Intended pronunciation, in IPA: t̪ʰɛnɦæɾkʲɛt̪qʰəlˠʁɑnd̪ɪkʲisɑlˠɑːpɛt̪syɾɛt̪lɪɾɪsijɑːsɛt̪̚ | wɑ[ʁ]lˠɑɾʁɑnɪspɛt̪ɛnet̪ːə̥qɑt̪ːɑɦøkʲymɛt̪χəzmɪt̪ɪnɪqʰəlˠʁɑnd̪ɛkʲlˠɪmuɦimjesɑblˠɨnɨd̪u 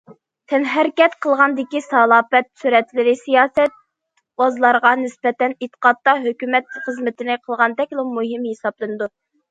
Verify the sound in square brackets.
incorrect: z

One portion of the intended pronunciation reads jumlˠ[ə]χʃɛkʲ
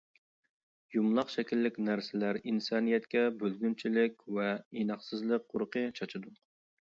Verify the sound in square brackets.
incorrect: ɑ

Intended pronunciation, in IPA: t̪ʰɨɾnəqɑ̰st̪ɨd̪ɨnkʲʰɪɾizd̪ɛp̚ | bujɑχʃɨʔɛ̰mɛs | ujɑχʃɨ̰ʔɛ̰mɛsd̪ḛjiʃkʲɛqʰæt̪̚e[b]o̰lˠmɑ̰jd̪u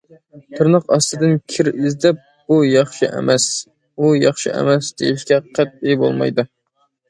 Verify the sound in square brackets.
correct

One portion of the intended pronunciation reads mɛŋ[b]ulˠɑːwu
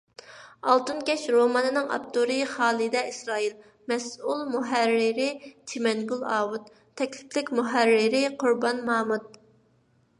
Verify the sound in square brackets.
incorrect: ɡ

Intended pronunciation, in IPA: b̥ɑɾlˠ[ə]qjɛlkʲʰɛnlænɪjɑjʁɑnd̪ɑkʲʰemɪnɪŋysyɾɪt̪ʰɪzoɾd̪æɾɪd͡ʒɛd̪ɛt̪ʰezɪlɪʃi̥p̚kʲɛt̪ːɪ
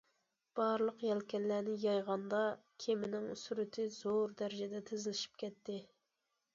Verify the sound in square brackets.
correct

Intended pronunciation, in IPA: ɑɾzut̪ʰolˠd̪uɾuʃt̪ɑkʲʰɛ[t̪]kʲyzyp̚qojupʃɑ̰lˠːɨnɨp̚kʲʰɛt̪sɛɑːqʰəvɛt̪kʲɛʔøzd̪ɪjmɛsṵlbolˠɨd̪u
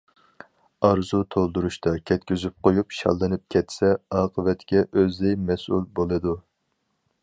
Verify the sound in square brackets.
correct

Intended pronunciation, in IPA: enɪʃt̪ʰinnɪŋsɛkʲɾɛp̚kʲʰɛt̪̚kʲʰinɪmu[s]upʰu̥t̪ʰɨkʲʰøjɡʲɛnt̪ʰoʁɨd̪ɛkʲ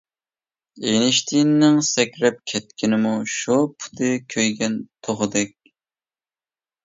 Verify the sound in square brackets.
incorrect: ʃ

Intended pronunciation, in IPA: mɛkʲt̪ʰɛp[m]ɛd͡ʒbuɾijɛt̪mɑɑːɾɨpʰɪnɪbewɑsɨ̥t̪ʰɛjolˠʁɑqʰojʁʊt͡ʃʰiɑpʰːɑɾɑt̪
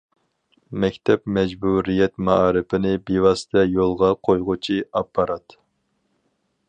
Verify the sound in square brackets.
correct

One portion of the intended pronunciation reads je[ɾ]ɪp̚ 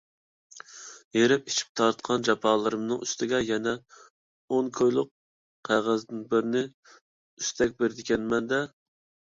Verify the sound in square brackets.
correct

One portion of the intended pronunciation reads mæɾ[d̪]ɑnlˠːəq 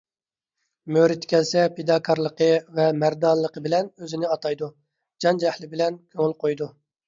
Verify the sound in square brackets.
correct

